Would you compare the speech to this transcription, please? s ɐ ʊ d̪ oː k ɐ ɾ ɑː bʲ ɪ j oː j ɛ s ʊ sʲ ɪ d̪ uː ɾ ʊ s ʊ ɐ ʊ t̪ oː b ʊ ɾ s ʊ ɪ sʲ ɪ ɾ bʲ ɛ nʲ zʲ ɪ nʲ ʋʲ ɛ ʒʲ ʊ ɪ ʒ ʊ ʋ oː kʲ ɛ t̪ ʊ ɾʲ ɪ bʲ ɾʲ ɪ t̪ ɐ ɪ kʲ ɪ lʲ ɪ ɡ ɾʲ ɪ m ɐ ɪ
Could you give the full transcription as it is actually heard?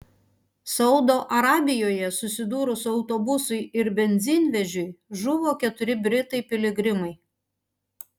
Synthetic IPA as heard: s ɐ ʊ d̪ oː ʔ ɐ ɾ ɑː bʲ ɪ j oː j ɛ s ʊ sʲ ɪ d̪ uː ɾ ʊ s ʊ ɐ ʊ t̪ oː b ʊ s ʊ ɪ ɪ ɾ bʲ ɛ nʲ zʲ ɪ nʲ ʋʲ ɛ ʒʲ ʊ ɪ ʒ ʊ ʋ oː kʲ ɛ t̪ ʊ ɾʲ ɪ bʲ ɾʲ ɪ t̪ ɐ ɪ pʲ ɪ lʲ ɪ ɡ ɾʲ ɪ m ɐ ɪ

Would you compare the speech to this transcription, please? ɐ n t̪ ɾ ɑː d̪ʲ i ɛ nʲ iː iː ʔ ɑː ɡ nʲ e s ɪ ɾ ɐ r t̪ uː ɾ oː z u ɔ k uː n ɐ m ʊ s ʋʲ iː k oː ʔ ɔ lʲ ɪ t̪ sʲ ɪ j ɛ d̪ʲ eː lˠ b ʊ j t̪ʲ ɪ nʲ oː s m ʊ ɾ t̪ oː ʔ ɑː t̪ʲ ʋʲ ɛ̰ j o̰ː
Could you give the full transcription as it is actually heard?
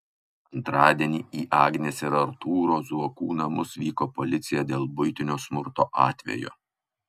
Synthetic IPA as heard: ɐ n t̪ ɾ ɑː d̪ʲ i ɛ nʲ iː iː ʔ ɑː ɡ nʲ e s ɪ ɾ ɐ ɾ t̪ uː ɾ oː z u ɔ k uː n ɐ m ʊ s ʋʲ iː k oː p ɔ lʲ ɪ t̪ sʲ ɪ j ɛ d̪ʲ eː lˠ b ʊ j t̪ʲ ɪ nʲ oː s m ʊ ɾ t̪ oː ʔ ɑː t̪ʲ ʋʲ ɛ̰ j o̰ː

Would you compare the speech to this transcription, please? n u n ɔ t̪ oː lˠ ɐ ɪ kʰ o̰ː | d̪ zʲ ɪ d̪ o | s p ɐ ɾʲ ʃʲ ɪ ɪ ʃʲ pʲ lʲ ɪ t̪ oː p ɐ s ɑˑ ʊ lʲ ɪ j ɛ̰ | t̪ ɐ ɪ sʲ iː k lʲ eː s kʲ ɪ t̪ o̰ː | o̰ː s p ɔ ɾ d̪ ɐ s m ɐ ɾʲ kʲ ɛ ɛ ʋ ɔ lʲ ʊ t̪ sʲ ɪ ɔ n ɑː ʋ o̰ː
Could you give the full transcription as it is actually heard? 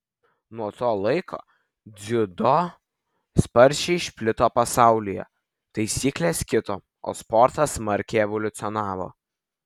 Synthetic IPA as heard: n u ɔ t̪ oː lˠ ɐ ɪ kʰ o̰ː | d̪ zʲ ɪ d̪ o | s p ɐ ɾʲ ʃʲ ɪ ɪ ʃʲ pʲ lʲ ɪ t̪ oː p ɐ s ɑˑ ʊ lʲ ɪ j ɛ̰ | t̪ ɐ ɪ sʲ iː k lʲ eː s kʲ ɪ t̪ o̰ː | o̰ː s p ɔ ɾ t̪ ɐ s m ɐ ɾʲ kʲ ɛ ɛ ʋ ɔ lʲ ʊ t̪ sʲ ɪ ɔ n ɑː ʋ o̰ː

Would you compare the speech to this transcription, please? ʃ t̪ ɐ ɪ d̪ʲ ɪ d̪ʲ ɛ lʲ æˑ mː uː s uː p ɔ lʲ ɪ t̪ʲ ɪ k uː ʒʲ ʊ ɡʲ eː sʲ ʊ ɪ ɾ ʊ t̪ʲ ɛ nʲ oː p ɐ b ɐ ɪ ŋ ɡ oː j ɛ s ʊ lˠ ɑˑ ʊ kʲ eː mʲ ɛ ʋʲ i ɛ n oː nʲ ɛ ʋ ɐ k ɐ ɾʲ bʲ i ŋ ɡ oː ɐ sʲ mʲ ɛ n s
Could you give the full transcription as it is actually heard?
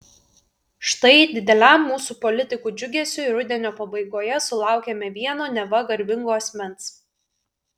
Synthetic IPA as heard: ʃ t̪ ɐ ɪ d̪ʲ ɪ d̪ʲ ɛ lʲ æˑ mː uː s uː p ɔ lʲ ɪ t̪ʲ ɪ k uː d͡ʒʲ ʊ ɡʲ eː sʲ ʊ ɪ ɾ ʊ d̪ʲ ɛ nʲ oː p ɐ b ɐ ɪ ɡ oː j ɛ s ʊ lˠ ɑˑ ʊ kʲ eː mʲ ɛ ʋʲ i ɛ n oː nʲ ɛ ʋ ɐ ɡ ɐ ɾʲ bʲ ɪ ŋ ɡ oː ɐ sʲ mʲ ɛ n s

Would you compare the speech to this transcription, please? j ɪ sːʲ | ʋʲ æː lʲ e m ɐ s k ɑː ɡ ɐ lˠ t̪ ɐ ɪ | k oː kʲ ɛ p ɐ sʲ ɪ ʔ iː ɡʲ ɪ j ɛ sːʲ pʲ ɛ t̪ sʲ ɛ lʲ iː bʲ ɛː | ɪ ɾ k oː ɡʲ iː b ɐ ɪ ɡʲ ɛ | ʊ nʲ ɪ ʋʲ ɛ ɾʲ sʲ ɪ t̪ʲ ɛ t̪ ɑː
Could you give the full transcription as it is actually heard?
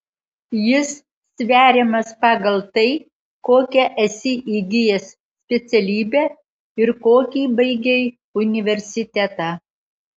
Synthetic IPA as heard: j ɪ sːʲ | ʋʲ æː ɾʲ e m ɐ s p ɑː ɡ ɐ lˠ t̪ ɐ ɪ | k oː kʲ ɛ ʔ ɐ sʲ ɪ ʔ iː ɡʲ ɪ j ɛ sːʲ pʲ ɛ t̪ sʲ ɛ lʲ iː bʲ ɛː | ɪ ɾ k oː kʲ iː b ɐ ɪ ɡʲ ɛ | ʊ nʲ ɪ ʋʲ ɛ ɾʲ sʲ ɪ t̪ʲ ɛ t̪ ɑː

